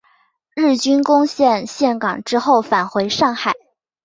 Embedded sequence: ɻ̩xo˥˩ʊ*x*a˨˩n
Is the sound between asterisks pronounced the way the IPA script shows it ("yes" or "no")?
no